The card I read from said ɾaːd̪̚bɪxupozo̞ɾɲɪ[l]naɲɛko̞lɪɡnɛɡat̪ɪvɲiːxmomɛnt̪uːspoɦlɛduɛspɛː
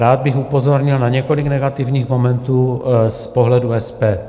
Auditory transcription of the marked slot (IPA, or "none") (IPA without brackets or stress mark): l